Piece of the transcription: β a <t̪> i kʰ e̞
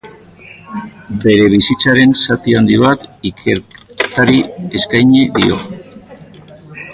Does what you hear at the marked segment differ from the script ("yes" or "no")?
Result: no